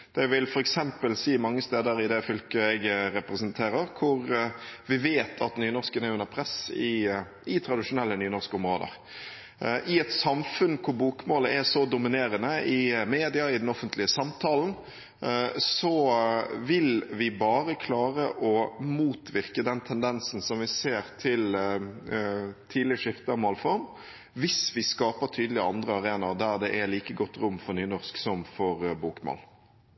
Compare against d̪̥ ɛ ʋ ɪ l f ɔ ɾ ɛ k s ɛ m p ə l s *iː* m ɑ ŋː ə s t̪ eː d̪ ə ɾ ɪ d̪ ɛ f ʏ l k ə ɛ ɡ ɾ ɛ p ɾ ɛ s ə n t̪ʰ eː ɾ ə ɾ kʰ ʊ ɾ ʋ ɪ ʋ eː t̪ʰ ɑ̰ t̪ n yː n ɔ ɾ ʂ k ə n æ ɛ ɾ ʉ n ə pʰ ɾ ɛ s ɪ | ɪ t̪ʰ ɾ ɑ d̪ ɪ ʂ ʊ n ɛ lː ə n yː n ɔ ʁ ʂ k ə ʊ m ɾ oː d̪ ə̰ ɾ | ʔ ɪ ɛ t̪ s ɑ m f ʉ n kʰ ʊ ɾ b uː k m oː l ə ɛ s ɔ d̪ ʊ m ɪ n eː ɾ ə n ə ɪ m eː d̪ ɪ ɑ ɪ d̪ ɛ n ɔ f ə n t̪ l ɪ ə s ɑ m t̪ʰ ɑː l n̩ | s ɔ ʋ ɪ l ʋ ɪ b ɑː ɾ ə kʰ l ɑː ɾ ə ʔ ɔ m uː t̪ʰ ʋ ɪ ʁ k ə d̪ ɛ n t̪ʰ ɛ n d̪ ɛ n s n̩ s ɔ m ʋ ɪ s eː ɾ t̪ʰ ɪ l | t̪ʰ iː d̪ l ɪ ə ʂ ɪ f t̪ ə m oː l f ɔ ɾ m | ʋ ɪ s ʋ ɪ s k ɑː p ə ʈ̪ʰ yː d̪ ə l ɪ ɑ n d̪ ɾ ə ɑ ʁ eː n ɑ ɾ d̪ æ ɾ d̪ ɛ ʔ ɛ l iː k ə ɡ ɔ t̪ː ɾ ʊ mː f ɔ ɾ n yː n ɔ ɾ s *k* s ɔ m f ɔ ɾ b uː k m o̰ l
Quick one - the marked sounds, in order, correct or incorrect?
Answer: correct, correct

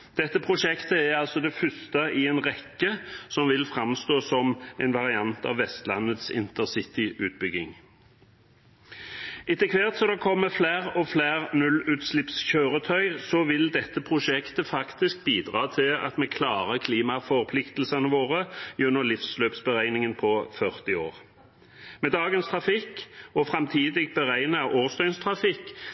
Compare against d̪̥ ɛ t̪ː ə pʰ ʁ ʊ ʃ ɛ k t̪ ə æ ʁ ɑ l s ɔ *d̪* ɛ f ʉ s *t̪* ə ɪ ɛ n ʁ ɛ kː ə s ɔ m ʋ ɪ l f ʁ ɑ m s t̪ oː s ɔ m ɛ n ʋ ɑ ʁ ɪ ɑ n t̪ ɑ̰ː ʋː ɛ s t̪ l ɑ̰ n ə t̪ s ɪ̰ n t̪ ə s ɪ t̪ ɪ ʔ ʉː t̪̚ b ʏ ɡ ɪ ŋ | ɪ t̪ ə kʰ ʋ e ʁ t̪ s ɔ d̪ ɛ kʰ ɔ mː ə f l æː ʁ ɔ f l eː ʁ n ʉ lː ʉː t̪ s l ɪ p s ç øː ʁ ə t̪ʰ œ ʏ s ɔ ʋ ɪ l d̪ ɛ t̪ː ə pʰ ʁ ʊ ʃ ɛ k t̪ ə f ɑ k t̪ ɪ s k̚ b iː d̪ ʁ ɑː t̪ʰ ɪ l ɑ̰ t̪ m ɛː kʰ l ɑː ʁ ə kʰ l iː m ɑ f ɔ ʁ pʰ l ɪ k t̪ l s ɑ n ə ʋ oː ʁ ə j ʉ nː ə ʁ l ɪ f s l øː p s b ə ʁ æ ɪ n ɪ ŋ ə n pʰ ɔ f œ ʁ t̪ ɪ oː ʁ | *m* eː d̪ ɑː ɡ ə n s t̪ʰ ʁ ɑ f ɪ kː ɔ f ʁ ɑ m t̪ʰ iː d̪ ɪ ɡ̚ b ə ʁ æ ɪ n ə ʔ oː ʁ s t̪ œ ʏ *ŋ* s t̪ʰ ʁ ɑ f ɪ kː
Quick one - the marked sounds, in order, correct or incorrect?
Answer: correct, correct, correct, incorrect

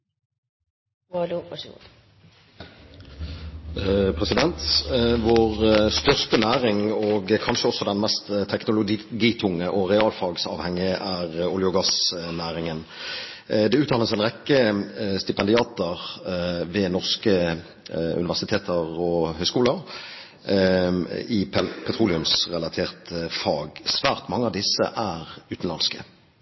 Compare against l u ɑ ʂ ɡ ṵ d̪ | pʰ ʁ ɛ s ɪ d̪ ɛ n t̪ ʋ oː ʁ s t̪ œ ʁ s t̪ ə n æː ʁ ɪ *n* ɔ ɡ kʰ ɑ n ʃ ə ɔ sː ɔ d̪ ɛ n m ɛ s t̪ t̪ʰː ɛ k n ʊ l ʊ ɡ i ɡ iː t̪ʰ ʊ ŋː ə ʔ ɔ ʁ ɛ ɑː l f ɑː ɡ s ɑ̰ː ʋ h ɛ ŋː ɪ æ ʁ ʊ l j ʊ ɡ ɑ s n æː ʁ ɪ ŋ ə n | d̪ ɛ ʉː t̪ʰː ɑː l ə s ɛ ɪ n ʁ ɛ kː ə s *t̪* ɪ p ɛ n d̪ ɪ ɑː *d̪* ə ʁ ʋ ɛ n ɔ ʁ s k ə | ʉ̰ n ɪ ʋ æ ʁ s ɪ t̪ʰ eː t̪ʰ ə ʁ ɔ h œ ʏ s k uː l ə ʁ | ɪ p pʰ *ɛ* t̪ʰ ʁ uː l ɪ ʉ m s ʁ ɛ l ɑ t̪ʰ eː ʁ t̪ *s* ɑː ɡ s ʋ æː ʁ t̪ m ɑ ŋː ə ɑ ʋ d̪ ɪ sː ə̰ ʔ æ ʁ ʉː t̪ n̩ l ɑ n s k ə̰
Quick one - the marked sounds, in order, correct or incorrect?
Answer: incorrect, correct, incorrect, correct, incorrect

